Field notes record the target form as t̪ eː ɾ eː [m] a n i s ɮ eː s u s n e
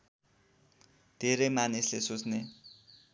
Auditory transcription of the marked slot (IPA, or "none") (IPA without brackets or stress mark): m